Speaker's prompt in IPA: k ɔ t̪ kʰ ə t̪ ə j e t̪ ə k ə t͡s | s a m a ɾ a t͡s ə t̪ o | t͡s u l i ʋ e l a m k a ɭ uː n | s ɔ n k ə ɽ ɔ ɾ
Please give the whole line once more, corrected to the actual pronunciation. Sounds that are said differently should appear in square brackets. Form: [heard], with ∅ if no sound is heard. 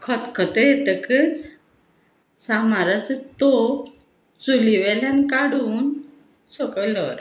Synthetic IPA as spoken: [kʰ] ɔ t̪ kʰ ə t̪ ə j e t̪ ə k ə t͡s | s a m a ɾ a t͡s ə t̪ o | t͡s u l i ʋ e l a [n] k a [ɽ] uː n | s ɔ [∅] k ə [l] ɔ ɾ